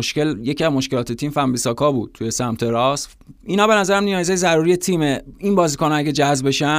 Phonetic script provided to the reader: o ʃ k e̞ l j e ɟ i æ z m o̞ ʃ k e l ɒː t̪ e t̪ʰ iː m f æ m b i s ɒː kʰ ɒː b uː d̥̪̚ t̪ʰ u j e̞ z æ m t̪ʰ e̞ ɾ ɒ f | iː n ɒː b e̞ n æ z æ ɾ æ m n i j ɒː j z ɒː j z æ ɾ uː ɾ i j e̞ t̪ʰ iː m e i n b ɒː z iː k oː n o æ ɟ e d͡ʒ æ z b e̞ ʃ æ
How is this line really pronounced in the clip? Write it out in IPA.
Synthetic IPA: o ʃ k e̞ l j e c i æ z m o̞ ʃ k e l ɒː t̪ e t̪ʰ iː m f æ m b i s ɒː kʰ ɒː b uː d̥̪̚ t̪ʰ u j e̞ s æ m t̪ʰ e̞ ɾ ɒ s | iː n ɒː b e̞ n æ z æ ɾ æ m n i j ɒː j z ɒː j z æ ɾ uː ɾ i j e̞ t̪ʰ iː m e i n b ɒː z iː k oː n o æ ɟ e d͡ʒ æ z b e̞ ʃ æ